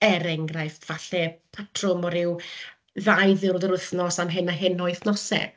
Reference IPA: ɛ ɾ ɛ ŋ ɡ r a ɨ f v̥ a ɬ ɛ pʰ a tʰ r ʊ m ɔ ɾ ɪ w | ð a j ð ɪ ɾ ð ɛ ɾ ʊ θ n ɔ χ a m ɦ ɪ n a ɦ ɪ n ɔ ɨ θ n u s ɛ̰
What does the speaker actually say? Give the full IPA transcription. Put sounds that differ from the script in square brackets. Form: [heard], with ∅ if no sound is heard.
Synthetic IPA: ɛ ɾ ɛ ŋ ɡ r a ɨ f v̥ a ɬ ɛ pʰ a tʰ r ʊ m ɔ ɾ ɪ w | ð a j ð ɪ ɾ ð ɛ ɾ ʊ θ n ɔ [s] a m ɦ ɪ n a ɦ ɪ n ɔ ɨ θ n [ɔ] s ɛ̰